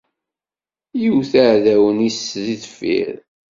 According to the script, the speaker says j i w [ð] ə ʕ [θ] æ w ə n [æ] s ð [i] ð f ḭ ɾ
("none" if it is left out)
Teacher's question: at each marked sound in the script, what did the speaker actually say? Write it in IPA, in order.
θ, ð, i, i

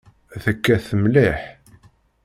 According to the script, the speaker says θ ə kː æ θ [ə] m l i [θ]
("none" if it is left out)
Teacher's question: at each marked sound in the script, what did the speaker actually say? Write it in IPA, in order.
ə, ħ

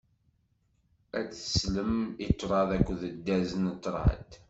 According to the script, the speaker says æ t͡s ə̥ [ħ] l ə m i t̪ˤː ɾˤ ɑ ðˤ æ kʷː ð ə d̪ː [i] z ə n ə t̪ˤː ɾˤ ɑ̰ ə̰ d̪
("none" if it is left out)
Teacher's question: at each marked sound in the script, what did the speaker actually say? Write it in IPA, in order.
s, æ

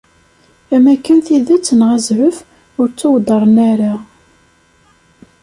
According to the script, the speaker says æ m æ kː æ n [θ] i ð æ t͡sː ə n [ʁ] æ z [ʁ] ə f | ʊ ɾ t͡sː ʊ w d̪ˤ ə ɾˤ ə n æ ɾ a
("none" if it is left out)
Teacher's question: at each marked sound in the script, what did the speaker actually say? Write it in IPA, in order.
θ, ʁ, ʕ

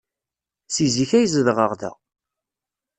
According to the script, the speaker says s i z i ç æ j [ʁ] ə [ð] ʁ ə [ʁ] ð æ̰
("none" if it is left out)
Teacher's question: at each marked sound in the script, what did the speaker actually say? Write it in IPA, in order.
z, ð, ʁ

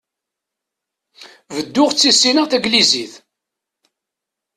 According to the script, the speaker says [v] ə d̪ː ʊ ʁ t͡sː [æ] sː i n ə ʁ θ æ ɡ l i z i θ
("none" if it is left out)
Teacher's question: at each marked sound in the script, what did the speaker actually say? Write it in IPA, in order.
v, i

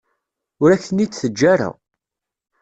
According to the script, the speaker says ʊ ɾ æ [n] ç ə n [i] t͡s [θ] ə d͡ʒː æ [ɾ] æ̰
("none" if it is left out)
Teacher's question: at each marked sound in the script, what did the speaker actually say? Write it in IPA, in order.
none, i, θ, ɾ

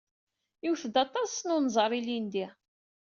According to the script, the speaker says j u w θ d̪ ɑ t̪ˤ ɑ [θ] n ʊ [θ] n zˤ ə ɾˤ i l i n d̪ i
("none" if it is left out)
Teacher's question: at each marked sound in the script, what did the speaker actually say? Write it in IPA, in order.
s, none

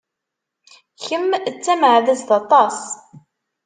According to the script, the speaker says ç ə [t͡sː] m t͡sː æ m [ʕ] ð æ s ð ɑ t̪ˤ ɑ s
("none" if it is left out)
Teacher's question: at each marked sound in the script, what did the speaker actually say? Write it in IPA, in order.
none, ʕ

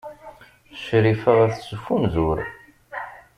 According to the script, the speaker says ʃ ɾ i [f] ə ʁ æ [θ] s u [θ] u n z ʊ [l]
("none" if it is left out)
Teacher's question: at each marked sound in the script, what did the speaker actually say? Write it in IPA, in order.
f, θ, f, ɾ

